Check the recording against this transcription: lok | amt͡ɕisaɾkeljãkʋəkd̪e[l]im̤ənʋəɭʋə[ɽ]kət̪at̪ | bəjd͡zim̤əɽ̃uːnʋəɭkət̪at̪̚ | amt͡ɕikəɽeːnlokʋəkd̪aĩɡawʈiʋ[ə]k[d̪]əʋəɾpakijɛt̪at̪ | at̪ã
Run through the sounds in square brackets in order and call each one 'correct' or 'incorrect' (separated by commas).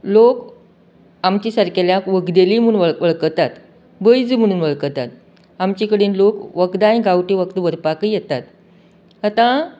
correct, incorrect, correct, incorrect